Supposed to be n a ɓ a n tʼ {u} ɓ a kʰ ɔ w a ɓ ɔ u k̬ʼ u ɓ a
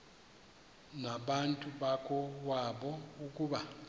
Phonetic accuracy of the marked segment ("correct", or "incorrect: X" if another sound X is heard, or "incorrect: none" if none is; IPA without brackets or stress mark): correct